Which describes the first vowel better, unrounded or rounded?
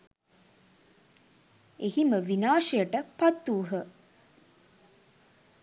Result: unrounded